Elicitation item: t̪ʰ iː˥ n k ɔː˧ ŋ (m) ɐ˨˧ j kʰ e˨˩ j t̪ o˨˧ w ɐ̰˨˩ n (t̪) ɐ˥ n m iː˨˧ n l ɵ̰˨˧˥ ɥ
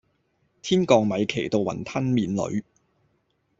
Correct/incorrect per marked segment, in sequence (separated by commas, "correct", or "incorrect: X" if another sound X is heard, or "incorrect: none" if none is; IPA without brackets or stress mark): correct, incorrect: t̪ʰ